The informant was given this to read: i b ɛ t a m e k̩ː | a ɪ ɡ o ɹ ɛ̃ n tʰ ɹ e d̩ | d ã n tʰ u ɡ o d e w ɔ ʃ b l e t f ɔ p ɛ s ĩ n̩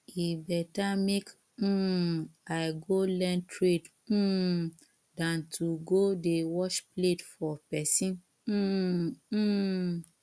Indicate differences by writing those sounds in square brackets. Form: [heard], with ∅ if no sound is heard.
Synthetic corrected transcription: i b ɛ t a m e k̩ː | a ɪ ɡ o [l] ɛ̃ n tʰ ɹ e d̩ | d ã n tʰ u ɡ o d e w ɔ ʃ [p] l e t f ɔ p ɛ s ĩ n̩